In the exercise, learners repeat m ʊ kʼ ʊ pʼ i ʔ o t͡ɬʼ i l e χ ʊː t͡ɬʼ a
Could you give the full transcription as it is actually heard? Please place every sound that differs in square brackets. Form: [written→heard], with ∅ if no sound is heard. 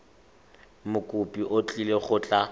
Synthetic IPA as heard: m ʊ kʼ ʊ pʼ i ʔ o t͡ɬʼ i l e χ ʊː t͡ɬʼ a